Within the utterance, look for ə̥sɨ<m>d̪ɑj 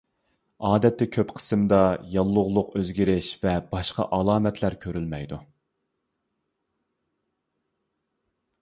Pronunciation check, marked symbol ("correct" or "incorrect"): correct